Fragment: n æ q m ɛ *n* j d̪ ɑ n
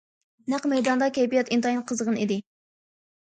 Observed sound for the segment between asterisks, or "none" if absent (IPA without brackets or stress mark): none